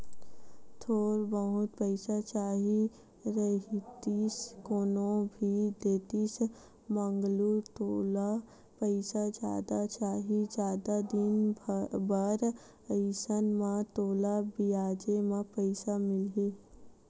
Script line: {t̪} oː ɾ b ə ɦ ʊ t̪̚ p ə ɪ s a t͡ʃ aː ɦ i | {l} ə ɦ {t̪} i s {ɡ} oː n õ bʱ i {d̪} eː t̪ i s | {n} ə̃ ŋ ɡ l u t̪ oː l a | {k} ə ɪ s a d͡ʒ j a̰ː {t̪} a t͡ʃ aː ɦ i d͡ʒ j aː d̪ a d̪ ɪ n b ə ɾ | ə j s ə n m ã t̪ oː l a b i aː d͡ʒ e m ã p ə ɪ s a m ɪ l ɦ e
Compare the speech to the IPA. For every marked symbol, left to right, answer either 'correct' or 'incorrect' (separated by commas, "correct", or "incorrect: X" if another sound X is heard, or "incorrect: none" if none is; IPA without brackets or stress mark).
incorrect: t̪ʰ, incorrect: ɾ, correct, incorrect: k, correct, incorrect: m, incorrect: p, incorrect: d̪